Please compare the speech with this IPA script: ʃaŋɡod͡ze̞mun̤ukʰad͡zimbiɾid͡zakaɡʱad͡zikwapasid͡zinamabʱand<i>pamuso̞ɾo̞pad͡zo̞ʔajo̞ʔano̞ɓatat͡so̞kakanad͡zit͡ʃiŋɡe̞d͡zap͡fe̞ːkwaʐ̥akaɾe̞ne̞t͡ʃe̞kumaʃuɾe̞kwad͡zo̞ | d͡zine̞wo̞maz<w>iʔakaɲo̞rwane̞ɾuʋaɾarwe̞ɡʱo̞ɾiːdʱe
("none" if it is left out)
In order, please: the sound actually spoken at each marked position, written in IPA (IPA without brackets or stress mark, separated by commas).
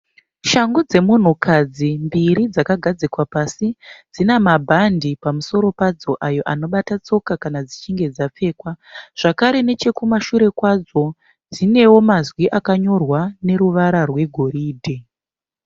i, w